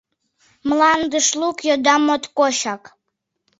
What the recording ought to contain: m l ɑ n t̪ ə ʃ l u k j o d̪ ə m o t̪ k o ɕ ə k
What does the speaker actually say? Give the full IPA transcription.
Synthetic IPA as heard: m l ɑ n d̪ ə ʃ l u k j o d̪ ɑ m o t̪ k o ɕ ɑ k